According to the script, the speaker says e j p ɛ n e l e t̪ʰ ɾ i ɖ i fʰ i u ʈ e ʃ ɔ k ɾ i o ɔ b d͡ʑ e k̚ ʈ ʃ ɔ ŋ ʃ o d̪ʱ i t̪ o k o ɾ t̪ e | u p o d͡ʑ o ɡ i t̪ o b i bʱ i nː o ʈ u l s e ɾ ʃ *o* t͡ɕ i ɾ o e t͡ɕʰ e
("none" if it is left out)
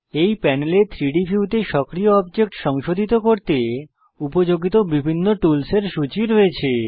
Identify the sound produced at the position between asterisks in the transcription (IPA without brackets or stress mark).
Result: u